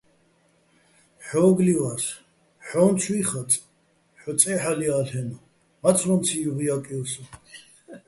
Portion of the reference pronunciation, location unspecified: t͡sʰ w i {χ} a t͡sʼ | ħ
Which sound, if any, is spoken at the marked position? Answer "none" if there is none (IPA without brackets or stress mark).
χ